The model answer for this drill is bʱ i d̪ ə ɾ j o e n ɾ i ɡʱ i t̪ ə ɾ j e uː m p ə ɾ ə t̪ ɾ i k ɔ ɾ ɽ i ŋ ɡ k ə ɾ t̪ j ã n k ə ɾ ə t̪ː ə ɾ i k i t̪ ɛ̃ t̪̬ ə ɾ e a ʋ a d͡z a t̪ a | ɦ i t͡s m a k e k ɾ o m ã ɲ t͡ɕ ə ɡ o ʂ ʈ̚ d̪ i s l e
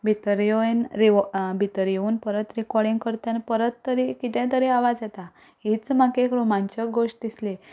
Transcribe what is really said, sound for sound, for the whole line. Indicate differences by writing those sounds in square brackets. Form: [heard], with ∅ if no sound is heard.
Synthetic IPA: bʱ i [t̪] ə ɾ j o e n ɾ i [bʱ] i t̪ ə ɾ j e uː [n] p ə ɾ ə t̪ ɾ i k ɔ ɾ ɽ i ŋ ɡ k ə ɾ t̪ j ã n [p] ə ɾ ə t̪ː ə ɾ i k i t̪ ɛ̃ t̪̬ ə ɾ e a ʋ a d͡z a t̪ a | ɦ i t͡s m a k e k ɾ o m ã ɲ t͡ɕ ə ɡ o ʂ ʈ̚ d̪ i s l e